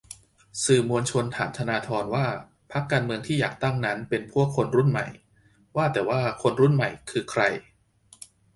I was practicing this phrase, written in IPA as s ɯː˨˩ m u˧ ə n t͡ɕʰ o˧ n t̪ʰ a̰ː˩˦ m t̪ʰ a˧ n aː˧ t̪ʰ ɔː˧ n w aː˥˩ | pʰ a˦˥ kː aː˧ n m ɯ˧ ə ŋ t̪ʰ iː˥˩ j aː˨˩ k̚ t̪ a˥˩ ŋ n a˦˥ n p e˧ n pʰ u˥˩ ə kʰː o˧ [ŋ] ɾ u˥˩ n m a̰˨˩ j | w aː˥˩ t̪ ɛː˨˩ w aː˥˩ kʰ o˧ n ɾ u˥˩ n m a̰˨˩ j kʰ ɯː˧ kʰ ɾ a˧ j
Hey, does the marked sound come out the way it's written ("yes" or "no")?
no